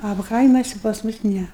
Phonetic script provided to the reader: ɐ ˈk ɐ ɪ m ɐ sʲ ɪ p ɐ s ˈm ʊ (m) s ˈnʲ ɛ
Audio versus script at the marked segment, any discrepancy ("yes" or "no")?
yes